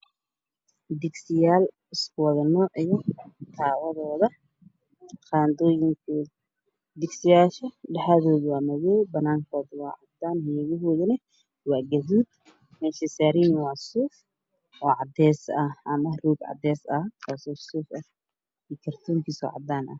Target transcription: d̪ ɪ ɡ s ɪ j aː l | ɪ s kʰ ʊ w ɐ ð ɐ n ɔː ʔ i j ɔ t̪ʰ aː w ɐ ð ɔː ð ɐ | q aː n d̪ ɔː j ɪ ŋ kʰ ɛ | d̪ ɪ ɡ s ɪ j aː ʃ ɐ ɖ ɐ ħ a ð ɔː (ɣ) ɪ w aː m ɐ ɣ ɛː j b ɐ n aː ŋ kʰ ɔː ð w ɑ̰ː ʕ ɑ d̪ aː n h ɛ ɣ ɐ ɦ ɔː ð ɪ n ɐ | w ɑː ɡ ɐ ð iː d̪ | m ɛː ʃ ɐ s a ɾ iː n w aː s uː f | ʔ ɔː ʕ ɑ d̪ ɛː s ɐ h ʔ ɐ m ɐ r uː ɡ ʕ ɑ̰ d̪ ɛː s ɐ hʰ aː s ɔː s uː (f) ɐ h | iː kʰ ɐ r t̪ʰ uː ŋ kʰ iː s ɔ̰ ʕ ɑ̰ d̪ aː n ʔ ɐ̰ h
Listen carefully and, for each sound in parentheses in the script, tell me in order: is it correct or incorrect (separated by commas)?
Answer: incorrect, correct